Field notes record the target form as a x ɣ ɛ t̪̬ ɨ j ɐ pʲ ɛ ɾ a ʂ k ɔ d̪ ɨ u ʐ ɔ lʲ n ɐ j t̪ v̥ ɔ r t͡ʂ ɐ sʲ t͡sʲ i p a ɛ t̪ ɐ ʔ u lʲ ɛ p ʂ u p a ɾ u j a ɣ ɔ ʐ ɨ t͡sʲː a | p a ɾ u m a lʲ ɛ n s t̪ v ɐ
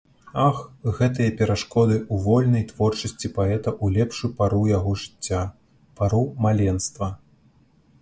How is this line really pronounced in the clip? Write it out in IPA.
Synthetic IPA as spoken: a x ɣ ɛ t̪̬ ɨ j ɐ pʲ ɛ ɾ a ʂ k ɔ d̪ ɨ u v ɔ lʲ n ɐ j t̪ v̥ ɔ r t͡ʂ ɐ sʲ t͡sʲ i p a ɛ t̪ ɐ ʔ u lʲ ɛ p ʂ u p a ɾ u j a ɣ ɔ ʐ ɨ t͡sʲː a | p a ɾ u m a lʲ ɛ n s t̪ v ɐ